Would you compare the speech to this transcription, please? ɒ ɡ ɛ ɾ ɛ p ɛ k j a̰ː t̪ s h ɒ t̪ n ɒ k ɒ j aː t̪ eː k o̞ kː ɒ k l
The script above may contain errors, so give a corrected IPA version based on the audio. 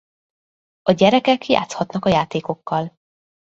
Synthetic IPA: ɒ ɟ ɛ ɾ ɛ k ɛ k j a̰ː t̪ s h ɒ t̪ n ɒ k ɒ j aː t̪ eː k o̞ kː ɒ l

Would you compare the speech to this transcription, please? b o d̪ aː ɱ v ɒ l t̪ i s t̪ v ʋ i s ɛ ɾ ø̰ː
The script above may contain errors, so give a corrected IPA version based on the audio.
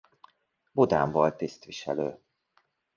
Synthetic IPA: b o d̪ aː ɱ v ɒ l t̪ i s t̪ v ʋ i ʃ ɛ l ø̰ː

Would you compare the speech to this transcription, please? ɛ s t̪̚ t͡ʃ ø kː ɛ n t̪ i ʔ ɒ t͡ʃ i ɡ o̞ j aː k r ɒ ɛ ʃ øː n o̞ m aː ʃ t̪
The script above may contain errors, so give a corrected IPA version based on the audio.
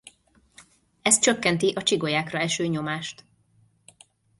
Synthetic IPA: ɛ s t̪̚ t͡ʃ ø kː ɛ n t̪ i ʔ ɒ t͡ʃ i ɡ o̞ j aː k r ɒ ɛ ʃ øː ɲ o̞ m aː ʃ t̪

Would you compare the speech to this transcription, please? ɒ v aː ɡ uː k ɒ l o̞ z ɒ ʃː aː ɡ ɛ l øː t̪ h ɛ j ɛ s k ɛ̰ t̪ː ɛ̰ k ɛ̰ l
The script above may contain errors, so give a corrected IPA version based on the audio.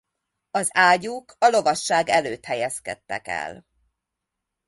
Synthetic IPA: ɒ z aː ɟ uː k ɒ l o̞ v ɒ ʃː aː ɡ ɛ l øː t̪ h ɛ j ɛ s k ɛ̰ t̪ː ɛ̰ k ɛ̰ l

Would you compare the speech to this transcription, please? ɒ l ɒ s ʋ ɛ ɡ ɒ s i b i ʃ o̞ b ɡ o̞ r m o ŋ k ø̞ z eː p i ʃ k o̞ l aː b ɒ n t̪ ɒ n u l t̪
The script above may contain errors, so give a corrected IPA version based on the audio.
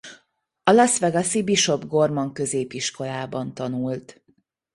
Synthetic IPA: ɒ l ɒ s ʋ ɛ ɡ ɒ s i b i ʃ o̞ b ɡ o̞ r m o ŋ k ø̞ z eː p i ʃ k o̞ l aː b ɒ n t̪ ɒ n u l t̪

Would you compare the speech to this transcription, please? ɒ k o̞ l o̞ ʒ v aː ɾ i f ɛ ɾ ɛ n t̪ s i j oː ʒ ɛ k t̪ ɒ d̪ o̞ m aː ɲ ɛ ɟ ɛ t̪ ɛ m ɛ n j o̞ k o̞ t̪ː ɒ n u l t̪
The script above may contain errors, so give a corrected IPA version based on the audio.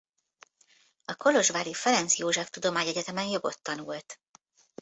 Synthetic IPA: ɒ k o̞ l o̞ ʒ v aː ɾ i f ɛ ɾ ɛ n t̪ s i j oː ʒ ɛ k t̪ u d̪ o̞ m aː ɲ ɛ ɟ ɛ t̪ ɛ m ɛ n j o̞ ɡ o̞ t̪ː ɒ n u l t̪

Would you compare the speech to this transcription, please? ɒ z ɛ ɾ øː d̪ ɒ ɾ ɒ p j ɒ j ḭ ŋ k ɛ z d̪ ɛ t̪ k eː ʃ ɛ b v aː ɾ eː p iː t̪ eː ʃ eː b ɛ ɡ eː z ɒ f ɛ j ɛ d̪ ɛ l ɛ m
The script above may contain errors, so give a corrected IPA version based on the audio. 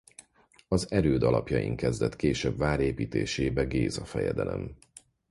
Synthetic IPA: ɒ z ɛ ɾ øː d̪ ɒ l ɒ p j ɒ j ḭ ŋ k ɛ z d̪ ɛ t̪ k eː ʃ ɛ b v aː ɾ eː p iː t̪ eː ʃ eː b ɛ ɡ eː z ɒ f ɛ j ɛ d̪ ɛ l ɛ m

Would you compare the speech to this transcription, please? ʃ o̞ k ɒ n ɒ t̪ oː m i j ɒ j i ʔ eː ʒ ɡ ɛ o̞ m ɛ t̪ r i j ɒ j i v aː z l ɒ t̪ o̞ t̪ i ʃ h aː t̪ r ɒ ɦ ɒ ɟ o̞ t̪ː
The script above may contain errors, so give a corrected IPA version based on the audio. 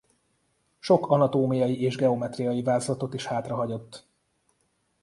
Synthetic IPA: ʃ o̞ k ɒ n ɒ t̪ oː m i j ɒ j i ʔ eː ʒ ɡ ɛ o̞ m ɛ t̪ r i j ɒ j i v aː z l ɒ t̪ o̞ t̪ i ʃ h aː t̪ r ɒ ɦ ɒ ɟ o̞ t̪ː

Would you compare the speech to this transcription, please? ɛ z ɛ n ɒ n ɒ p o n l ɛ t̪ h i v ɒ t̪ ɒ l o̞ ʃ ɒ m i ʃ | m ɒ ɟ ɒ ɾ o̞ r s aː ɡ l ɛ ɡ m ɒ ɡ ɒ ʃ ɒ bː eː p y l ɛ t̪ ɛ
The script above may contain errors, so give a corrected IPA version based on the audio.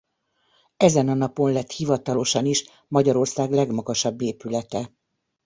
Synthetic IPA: ɛ z ɛ n ɒ n ɒ p o n l ɛ t̪ h i v ɒ t̪ ɒ l o̞ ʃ ɒ n i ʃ | m ɒ ɟ ɒ ɾ o̞ r s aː ɡ l ɛ ɡ m ɒ ɡ ɒ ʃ ɒ bː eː p y l ɛ t̪ ɛ

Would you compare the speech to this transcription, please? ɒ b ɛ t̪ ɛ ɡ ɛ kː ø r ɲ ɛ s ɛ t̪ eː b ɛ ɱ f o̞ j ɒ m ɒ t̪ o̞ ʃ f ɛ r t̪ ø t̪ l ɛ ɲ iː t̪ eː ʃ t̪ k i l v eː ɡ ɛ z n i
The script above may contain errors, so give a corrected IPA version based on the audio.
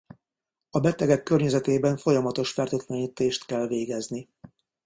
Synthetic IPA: ɒ b ɛ t̪ ɛ ɡ ɛ kː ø r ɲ ɛ z ɛ t̪ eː b ɛ ɱ f o̞ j ɒ m ɒ t̪ o̞ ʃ f ɛ r t̪ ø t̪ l ɛ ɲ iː t̪ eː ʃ t̪ k ɛ l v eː ɡ ɛ z n i

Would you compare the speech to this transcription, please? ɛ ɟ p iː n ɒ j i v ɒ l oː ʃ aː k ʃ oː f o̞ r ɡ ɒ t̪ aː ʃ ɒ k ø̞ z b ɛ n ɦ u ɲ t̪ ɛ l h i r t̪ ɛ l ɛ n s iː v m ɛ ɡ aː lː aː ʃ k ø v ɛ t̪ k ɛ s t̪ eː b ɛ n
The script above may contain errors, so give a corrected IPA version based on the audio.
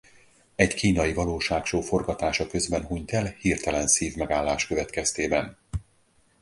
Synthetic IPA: ɛ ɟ k iː n ɒ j i v ɒ l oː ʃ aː k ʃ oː f o̞ r ɡ ɒ t̪ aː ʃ ɒ k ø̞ z b ɛ n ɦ u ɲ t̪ ɛ l h i r t̪ ɛ l ɛ n s iː v m ɛ ɡ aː lː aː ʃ k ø v ɛ t̪ k ɛ s t̪ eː b ɛ n

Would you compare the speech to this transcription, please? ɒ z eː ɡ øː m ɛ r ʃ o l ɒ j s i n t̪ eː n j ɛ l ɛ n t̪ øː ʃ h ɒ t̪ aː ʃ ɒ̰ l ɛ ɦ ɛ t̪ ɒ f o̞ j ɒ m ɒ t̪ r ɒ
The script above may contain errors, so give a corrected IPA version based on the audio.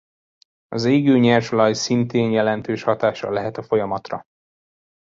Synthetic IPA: ɒ z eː ɡ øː ɲ ɛ r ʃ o l ɒ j s i n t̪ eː n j ɛ l ɛ n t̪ øː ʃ h ɒ t̪ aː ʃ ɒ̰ l ɛ ɦ ɛ t̪ ɒ f o̞ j ɒ m ɒ t̪ r ɒ

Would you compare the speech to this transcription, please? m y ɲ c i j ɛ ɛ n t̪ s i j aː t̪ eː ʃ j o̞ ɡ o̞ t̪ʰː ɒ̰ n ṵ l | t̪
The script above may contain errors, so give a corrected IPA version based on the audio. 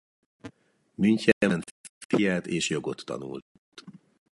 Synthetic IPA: m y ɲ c ɛ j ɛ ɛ n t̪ f i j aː t̪ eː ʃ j o̞ ɡ o̞ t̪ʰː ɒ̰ n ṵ l | t̪

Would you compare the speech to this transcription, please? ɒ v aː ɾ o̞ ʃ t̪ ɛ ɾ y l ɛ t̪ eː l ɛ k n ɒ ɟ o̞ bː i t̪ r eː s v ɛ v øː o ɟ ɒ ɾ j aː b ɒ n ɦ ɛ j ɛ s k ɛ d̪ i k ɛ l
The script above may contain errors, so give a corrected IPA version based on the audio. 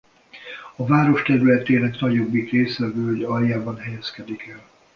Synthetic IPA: ɒ v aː ɾ o̞ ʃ t̪ ɛ ɾ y l ɛ t̪ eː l ɛ k n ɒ ɟ o̞ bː i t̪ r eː s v ɛ v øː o ɟ ɒ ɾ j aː b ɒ n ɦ ɛ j ɛ s k ɛ d̪ i k ɛ l

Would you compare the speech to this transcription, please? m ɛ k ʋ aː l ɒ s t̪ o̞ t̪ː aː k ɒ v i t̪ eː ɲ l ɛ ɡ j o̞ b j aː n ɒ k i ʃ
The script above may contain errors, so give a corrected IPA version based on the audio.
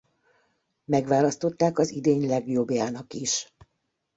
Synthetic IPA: m ɛ ɡ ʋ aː l ɒ s t̪ o̞ t̪ː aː k ɒ z i d̪ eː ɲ l ɛ ɡ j o̞ b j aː n ɒ k i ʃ

